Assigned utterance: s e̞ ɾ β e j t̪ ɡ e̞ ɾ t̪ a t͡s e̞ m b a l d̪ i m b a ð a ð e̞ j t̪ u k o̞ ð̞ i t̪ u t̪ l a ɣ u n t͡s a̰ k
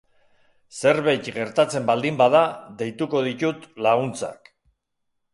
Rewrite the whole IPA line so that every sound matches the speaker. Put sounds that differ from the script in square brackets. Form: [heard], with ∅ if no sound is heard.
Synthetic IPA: s e̞ ɾ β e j t̪ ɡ e̞ ɾ t̪ a t͡s e̞ m b a l d̪ i m b a ð a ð e̞ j t̪ u k o̞ ð̞ i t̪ u t̪ l a ɣ u n t͡s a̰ k

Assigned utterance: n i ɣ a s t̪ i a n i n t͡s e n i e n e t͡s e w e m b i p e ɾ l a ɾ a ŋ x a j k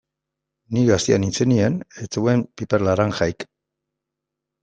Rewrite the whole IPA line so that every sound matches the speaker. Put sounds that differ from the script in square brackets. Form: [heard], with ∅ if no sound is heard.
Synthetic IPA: n i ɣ a s t̪ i a n i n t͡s e n i e n e t͡s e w e m [p] i p e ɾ l a ɾ a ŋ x a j k

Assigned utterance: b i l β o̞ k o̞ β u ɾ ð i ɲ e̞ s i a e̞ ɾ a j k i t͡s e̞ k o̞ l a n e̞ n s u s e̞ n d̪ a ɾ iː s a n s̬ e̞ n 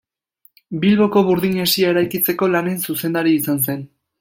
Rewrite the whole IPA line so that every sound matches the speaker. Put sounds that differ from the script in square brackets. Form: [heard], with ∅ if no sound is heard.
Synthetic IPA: b i l β o̞ k o̞ β u ɾ ð i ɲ e̞ s i a e̞ ɾ a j k i t͡s e̞ k o̞ l a n e̞ n s u s e̞ n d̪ a ɾ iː s a n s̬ e̞ n

